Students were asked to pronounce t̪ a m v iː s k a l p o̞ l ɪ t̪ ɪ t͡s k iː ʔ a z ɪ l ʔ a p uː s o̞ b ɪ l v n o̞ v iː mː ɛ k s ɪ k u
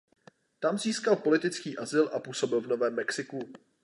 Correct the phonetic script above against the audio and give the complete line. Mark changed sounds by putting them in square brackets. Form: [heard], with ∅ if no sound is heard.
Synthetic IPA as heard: t̪ a m [z] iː s k a l p o̞ l ɪ t̪ ɪ t͡s k iː ʔ a z ɪ l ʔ a p uː s o̞ b ɪ l v n o̞ v [ɛː] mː ɛ k s ɪ k u